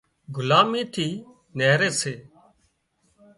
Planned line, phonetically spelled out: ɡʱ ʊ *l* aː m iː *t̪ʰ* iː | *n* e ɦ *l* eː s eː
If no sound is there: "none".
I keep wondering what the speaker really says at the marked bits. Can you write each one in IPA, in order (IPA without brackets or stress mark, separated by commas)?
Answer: l, t̪ʰ, n, ɾ